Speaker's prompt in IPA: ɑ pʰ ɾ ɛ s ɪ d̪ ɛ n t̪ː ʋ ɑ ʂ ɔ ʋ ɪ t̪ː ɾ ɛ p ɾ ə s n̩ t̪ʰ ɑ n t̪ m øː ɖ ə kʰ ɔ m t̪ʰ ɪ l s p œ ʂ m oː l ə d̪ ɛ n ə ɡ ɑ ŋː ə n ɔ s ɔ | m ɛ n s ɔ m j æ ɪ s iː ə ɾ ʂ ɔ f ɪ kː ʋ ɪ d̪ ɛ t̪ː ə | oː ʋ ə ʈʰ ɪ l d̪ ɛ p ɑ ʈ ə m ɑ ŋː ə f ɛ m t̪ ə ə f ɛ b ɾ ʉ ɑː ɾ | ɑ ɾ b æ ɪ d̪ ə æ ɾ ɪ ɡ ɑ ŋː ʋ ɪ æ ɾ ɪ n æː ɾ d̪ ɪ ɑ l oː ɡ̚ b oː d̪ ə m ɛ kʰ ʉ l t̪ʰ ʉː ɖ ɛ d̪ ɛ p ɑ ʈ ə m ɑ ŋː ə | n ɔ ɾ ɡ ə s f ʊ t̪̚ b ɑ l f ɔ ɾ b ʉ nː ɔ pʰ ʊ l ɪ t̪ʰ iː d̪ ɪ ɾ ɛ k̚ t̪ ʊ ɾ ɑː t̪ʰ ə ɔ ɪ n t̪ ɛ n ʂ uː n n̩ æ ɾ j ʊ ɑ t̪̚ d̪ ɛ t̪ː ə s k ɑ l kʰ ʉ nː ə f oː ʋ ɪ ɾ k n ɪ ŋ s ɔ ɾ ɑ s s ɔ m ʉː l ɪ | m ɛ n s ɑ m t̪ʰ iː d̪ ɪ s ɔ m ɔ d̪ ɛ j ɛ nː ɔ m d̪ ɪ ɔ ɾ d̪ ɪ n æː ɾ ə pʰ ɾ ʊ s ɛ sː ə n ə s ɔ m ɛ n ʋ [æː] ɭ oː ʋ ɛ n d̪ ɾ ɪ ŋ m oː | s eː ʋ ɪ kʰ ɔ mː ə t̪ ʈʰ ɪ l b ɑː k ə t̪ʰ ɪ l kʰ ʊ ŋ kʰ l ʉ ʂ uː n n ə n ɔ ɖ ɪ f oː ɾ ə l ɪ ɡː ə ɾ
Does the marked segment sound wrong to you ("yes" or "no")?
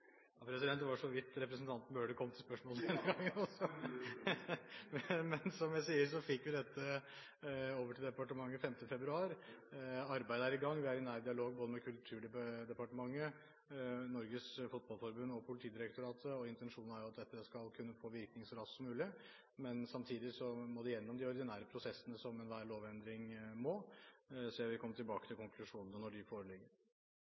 no